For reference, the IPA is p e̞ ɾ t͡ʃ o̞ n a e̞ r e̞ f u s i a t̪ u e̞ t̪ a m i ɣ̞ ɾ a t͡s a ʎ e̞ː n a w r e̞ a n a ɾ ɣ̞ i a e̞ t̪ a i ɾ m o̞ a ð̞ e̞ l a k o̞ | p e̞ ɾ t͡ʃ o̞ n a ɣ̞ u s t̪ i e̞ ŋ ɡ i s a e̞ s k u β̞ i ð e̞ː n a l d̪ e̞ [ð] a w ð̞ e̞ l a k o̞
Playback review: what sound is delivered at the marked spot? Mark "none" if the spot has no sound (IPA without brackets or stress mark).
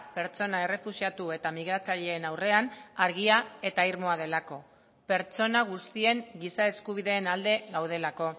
ɣ